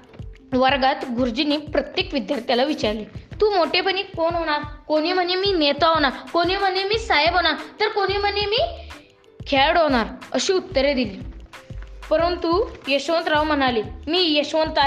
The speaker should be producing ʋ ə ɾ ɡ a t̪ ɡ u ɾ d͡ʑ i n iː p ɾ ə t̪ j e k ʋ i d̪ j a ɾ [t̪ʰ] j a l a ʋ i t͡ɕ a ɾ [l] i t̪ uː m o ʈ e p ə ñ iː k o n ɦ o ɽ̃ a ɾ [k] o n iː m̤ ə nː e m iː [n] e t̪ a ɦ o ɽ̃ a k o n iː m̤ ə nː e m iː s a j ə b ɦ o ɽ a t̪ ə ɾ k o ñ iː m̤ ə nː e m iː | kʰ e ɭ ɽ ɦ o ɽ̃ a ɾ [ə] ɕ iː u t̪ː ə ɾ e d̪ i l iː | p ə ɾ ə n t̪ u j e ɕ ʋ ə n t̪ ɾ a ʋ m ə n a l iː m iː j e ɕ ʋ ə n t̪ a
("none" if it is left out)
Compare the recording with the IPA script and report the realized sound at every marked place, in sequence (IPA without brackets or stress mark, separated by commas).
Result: t̪, l, k, n, ə